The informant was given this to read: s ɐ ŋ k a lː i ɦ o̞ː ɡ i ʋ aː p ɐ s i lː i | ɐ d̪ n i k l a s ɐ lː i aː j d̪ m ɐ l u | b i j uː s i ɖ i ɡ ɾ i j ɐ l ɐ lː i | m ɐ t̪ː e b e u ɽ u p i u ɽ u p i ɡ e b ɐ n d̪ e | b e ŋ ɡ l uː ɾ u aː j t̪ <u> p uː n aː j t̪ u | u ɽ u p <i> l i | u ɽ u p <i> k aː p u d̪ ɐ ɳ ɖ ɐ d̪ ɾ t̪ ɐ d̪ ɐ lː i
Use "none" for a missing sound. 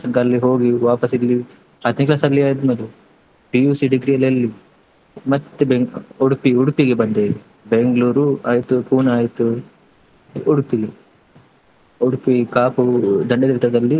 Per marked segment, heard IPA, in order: u, i, i

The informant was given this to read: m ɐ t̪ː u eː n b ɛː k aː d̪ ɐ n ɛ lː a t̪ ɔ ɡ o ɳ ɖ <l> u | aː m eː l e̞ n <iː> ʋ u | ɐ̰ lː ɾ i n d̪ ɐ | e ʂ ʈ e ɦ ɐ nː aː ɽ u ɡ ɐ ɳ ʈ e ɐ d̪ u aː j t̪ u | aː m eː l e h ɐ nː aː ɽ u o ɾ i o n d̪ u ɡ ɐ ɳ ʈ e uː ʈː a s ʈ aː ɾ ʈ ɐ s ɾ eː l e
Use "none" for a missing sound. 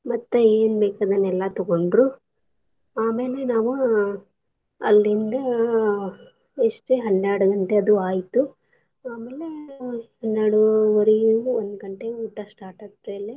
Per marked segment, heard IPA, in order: ɾ, aː

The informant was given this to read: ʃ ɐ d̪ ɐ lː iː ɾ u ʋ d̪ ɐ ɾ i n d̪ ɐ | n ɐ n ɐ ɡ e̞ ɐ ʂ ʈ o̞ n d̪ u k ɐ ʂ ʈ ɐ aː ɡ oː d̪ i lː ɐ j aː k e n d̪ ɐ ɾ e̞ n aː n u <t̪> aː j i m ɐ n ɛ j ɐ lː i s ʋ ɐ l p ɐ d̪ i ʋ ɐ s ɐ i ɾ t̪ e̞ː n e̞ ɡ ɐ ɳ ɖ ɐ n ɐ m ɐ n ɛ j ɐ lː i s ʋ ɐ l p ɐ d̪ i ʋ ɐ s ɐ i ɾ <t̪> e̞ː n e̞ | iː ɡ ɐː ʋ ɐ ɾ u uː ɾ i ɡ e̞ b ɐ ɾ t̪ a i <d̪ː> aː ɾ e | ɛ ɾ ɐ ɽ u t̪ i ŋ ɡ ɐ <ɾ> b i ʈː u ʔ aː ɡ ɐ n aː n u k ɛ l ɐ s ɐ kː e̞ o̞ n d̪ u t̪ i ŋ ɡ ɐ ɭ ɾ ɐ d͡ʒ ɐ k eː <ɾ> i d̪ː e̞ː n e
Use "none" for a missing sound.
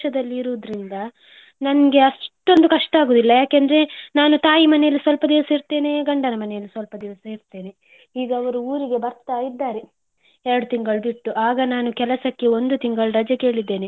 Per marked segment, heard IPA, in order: t̪, t̪, d̪ː, ɭ, ɭ

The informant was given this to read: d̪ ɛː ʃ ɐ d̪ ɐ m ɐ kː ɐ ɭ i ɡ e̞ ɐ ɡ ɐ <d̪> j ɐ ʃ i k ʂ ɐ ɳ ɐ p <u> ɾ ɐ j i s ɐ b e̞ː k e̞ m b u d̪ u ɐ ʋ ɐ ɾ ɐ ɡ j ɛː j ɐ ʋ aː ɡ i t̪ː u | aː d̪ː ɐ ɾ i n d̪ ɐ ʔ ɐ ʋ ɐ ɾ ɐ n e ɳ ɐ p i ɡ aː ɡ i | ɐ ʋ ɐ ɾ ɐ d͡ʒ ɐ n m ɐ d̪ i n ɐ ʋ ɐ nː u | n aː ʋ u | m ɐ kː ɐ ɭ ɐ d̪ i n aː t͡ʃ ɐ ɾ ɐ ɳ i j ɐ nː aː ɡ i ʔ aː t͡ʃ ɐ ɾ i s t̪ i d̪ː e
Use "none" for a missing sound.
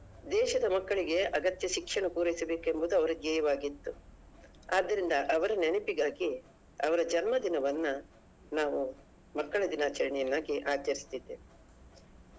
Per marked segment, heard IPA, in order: t̪, uː

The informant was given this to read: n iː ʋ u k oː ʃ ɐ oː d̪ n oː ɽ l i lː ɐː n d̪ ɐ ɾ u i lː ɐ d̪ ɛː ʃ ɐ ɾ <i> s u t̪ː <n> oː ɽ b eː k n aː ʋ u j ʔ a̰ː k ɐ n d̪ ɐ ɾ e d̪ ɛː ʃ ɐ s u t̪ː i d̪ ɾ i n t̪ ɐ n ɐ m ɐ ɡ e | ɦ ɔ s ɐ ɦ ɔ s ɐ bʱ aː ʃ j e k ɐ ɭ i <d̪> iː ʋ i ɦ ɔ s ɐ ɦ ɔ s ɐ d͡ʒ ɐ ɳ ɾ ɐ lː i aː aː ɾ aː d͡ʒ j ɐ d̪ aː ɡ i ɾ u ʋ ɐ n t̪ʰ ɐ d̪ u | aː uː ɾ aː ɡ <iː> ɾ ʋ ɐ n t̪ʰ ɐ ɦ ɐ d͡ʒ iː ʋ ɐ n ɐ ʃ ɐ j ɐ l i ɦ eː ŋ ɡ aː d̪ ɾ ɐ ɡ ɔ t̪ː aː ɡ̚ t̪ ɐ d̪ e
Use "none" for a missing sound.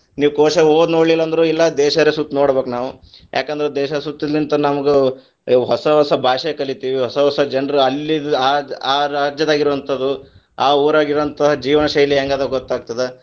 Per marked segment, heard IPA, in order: e, n, t̪, i

